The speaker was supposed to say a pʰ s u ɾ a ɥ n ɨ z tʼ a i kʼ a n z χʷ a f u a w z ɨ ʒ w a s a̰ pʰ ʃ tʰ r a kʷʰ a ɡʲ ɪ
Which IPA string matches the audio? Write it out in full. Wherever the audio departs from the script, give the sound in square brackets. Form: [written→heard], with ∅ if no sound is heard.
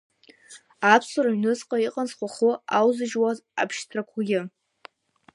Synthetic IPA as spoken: a pʰ s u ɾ a ɥ n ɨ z [tʼ→qʼ] a i [kʼ→qʼ] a n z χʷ a [f→χ] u a w z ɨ ʒ w a [s→z] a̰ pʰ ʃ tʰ r a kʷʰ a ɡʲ ɪ